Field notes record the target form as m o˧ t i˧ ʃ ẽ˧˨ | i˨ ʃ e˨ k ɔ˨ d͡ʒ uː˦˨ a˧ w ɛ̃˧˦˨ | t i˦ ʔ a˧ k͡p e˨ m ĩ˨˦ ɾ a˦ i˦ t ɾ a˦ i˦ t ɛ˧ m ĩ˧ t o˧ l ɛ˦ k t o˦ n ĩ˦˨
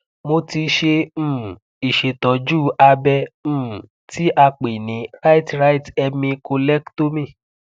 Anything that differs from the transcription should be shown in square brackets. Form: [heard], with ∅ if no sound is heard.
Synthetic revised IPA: m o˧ t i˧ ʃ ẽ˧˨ | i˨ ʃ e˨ [t] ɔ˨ d͡ʒ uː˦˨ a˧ [b] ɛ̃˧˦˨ | t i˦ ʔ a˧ k͡p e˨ [n] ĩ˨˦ ɾ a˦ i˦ t ɾ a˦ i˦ t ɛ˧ m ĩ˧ [k] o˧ l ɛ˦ k t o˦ [m] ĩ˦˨